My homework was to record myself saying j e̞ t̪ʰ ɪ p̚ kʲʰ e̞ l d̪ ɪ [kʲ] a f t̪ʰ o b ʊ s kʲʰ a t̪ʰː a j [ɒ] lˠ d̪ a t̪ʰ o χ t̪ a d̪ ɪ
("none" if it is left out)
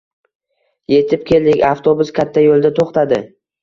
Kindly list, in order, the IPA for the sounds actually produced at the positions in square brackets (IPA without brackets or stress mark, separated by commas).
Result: kʲ, o